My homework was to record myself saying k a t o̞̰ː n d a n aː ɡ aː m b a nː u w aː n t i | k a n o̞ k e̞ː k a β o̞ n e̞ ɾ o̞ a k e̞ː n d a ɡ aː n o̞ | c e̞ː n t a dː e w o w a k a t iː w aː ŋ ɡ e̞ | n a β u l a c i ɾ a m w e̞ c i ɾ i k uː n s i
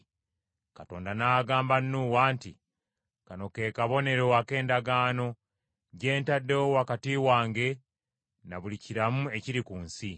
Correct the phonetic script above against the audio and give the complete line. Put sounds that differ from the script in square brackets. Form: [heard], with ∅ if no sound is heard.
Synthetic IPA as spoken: k a t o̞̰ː n d a n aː ɡ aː m b a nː u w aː n t i | k a n o̞ k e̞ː k a β o̞ n e̞ ɾ o̞ a k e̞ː n d a ɡ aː n o̞ | [ɟ] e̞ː n t a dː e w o w a k a t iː w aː ŋ ɡ e̞ | n a β u l [i] c i ɾ a m [u] e̞ c i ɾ i k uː n s i